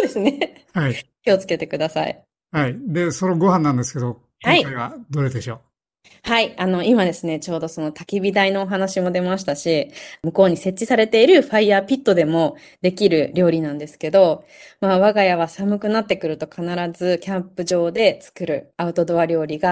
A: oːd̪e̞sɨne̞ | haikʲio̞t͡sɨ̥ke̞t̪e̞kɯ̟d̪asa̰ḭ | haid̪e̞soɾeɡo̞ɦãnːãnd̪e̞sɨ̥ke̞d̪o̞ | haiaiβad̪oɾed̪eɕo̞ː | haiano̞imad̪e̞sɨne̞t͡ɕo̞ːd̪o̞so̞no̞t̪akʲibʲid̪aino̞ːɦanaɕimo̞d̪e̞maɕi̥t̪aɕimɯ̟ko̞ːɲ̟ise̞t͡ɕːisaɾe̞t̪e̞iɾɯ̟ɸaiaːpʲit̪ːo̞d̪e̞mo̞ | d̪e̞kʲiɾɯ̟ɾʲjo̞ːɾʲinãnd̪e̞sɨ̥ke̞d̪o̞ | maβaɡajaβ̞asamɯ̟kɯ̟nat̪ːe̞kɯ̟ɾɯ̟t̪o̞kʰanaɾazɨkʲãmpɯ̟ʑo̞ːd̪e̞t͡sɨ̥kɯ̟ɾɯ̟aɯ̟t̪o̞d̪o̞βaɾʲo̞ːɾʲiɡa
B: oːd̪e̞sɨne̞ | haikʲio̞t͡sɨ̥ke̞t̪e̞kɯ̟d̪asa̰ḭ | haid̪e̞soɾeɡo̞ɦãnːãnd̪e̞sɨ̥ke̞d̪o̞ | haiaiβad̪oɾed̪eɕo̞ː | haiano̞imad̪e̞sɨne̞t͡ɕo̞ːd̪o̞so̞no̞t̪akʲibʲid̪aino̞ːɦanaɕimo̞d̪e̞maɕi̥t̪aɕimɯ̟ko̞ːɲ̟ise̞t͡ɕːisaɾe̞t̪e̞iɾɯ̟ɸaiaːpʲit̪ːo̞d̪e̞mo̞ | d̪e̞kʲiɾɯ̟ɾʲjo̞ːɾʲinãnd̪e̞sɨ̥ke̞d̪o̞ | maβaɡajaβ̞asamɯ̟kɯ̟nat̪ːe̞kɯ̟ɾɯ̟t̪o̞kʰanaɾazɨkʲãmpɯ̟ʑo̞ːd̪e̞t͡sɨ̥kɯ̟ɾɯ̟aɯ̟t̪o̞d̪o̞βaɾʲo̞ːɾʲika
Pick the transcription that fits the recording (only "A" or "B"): A